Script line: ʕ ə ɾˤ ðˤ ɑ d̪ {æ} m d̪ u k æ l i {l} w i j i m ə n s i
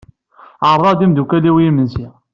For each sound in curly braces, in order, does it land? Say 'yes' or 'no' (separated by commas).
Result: no, no